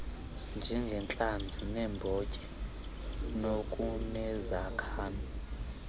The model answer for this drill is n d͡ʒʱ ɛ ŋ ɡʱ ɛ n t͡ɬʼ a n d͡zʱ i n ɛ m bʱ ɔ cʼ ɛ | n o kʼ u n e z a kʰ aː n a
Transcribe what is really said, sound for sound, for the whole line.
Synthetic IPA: n d͡ʒʱ ɛ ŋ ɡʱ ɛ n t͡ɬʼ a n d͡zʱ i n ɛ m bʱ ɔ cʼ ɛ | n o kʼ u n ɛ z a kʰ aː n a